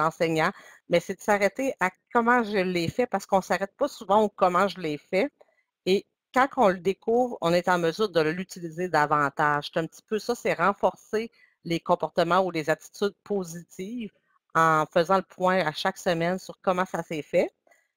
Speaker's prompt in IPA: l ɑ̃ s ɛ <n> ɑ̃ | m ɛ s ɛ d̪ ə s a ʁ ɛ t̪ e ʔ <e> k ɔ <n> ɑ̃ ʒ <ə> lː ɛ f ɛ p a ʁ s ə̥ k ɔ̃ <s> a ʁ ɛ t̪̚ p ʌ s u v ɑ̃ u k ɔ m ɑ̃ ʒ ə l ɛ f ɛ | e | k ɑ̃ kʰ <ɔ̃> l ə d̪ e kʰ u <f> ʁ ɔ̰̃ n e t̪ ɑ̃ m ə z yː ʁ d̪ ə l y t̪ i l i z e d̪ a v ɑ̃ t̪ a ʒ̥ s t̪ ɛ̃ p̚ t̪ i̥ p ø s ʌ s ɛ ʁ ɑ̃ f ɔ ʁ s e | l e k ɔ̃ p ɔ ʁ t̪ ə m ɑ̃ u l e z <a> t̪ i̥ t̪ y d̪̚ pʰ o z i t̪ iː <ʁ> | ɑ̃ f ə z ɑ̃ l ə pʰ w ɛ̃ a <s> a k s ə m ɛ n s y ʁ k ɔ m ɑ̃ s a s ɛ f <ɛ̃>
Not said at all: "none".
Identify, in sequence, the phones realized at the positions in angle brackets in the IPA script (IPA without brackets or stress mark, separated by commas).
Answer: ɲ, a, m, ə, s, ɔ̃, v, a, v, ʃ, ɛ